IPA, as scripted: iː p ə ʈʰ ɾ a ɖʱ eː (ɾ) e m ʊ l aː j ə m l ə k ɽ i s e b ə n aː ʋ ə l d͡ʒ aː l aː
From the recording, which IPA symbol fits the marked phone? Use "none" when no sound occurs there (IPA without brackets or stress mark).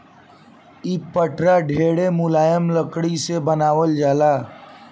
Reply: ɽ